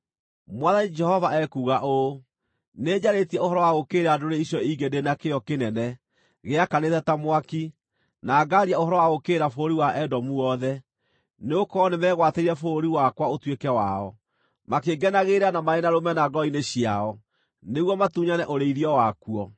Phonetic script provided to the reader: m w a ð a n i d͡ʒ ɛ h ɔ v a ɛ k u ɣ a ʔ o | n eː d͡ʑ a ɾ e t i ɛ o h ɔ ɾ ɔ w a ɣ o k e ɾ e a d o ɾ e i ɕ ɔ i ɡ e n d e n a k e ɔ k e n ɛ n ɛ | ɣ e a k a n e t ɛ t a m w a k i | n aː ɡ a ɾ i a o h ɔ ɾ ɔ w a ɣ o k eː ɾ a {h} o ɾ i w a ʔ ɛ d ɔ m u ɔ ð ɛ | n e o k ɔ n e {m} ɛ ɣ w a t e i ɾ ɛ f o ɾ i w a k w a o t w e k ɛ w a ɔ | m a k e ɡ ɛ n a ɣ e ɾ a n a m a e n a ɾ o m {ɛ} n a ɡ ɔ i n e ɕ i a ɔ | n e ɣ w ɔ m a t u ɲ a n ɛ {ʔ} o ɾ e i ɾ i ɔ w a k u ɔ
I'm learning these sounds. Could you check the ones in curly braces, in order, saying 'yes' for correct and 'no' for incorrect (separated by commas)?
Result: no, yes, yes, yes